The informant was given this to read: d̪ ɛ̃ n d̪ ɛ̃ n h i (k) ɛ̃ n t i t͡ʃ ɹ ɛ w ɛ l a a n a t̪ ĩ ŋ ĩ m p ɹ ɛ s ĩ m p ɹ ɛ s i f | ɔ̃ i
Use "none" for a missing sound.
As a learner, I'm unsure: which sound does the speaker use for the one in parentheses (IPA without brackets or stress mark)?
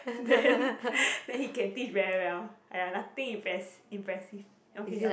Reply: k